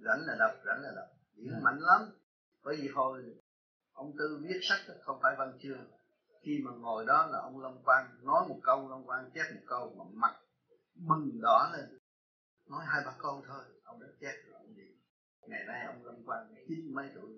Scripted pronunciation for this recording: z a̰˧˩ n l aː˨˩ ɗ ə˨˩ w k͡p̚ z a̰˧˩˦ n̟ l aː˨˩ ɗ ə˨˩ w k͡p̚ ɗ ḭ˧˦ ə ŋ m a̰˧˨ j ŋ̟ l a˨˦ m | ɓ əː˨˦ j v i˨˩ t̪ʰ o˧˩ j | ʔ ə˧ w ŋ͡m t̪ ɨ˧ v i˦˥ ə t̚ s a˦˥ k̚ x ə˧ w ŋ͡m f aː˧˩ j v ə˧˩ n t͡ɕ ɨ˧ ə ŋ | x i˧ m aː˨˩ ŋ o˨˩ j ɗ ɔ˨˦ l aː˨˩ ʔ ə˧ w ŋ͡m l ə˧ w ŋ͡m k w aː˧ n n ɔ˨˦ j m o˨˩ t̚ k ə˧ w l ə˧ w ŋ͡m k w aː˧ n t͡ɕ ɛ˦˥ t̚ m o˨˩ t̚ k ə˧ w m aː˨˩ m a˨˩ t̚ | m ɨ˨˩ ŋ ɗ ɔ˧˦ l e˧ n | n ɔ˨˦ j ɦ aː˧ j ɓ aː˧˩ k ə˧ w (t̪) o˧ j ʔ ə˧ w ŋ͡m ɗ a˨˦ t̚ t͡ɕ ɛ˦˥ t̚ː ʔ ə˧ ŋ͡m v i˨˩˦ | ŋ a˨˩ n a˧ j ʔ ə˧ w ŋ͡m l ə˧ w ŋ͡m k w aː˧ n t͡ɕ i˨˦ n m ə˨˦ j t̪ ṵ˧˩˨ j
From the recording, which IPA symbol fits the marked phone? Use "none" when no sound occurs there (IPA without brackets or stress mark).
t̪ʰ